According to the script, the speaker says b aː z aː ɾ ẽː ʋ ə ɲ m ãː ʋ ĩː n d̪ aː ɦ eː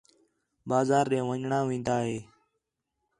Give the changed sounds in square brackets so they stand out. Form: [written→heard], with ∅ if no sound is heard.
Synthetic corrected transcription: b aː z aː ɾ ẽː ʋ ə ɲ [m→ɳ] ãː ʋ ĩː n d̪ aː ɦ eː